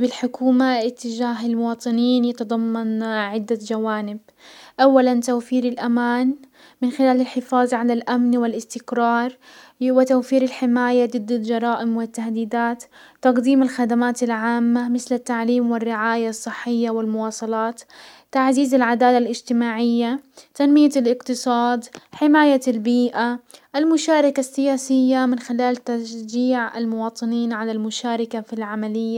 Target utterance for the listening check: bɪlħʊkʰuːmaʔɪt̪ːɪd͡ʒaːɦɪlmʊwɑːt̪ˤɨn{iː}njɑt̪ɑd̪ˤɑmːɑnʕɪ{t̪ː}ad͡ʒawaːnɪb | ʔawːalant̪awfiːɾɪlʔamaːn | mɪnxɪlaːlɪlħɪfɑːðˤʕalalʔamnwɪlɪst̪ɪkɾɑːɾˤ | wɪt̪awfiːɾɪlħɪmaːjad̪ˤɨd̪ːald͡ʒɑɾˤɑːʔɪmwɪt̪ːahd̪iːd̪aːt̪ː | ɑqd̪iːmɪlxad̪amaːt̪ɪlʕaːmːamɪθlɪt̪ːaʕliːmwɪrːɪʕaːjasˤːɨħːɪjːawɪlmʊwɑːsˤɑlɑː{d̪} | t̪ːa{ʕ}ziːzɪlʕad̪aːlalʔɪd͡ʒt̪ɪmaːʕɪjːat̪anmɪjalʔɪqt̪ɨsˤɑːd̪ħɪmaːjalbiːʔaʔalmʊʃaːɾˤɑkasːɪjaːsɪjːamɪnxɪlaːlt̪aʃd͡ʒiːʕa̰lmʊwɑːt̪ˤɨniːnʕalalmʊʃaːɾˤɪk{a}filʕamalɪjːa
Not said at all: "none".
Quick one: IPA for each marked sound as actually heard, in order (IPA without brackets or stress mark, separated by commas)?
iː, d̪ː, t̪, ʕ, a